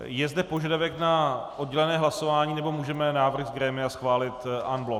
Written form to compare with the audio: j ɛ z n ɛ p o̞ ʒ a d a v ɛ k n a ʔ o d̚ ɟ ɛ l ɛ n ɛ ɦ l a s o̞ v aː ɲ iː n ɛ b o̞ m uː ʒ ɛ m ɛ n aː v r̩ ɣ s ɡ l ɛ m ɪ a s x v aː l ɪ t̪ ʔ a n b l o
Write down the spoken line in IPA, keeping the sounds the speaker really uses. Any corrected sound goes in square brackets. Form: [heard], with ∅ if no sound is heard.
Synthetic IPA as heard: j ɛ z [d] ɛ p o̞ ʒ a d a v ɛ k n a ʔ o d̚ ɟ ɛ l ɛ n [ɛː] ɦ l a s o̞ v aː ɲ iː n ɛ b o̞ m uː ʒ ɛ m ɛ n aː v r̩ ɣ [z] ɡ [ɾ] ɛ m ɪ a s x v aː l ɪ t̪ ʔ a n b l o

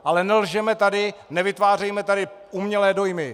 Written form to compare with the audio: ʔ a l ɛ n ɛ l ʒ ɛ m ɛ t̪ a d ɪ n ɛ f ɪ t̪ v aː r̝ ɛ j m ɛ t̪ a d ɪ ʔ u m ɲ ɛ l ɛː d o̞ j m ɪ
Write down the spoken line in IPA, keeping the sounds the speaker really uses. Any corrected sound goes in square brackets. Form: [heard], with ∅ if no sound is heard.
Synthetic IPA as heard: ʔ a l ɛ n ɛ l ʒ ɛ m ɛ t̪ a d ɪ n ɛ [v] ɪ t̪ v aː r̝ ɛ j m ɛ t̪ a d ɪ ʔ u m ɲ ɛ l ɛː d o̞ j m ɪ

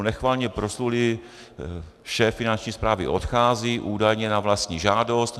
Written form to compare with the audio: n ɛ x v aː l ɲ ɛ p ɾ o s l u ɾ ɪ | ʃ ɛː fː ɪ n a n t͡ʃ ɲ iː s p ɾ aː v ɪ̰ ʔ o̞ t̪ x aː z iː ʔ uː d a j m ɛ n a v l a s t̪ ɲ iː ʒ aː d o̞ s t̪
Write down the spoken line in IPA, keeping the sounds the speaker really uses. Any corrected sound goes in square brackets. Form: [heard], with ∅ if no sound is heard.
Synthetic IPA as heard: n ɛ x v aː l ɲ ɛ p ɾ o s l u [l] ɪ | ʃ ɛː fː ɪ n a n t͡ʃ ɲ iː s p ɾ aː v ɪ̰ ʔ o̞ t̪ x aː z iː ʔ uː d a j [ɲ] ɛ n a v l a s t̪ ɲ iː ʒ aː d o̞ s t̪

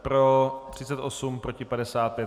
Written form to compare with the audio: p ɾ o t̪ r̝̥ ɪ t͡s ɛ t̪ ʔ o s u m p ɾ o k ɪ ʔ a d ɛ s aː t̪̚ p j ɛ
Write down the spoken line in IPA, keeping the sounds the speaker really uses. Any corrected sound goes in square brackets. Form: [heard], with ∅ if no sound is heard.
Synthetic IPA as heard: p ɾ o t̪ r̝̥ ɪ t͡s ɛ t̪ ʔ o s u m p ɾ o [c] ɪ [p] a d ɛ s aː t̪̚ p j ɛ

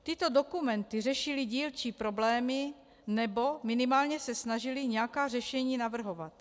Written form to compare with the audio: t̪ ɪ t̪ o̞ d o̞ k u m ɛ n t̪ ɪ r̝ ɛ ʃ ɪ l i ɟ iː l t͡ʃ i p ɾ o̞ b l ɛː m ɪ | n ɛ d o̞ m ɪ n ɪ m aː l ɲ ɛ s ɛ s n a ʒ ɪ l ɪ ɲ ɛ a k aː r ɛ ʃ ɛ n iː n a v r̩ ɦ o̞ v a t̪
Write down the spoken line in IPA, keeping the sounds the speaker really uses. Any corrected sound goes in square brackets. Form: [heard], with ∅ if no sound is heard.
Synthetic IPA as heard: t̪ ɪ t̪ o̞ d o̞ k u m ɛ n t̪ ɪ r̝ ɛ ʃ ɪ l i ɟ iː l t͡ʃ i p ɾ o̞ b l ɛː m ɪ | n ɛ [b] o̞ m ɪ n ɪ m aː l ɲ ɛ s ɛ s n a ʒ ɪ l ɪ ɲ ɛ a k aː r ɛ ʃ ɛ [ɲ] iː n a v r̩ ɦ o̞ v a t̪

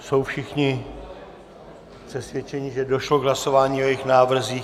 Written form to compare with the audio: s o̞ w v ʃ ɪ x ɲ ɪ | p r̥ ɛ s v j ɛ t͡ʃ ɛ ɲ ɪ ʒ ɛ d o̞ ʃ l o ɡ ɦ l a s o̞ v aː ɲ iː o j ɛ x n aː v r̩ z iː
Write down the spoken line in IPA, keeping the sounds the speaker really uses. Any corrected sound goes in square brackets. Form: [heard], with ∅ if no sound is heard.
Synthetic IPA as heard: s o̞ w [f] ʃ ɪ x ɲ ɪ | p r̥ ɛ s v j ɛ t͡ʃ ɛ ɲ ɪ ʒ ɛ d o̞ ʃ l o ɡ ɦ l a s o̞ v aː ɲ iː o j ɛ x n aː v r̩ z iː

